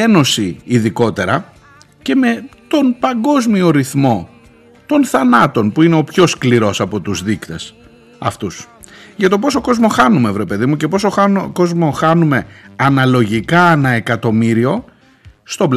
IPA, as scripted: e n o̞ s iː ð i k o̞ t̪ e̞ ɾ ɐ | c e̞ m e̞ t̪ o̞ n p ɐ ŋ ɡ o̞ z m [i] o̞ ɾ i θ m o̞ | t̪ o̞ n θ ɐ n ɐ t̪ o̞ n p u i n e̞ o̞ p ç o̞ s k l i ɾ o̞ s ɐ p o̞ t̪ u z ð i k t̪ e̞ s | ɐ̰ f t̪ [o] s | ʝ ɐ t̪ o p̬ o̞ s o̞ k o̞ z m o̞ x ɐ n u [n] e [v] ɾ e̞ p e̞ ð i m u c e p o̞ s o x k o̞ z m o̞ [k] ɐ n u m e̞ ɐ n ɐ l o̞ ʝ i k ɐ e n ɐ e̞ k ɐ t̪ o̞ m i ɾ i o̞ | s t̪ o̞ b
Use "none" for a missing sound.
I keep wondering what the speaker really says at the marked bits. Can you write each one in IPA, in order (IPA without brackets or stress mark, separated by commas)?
i, u, m, v, x